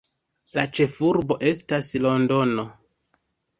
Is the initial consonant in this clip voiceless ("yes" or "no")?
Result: no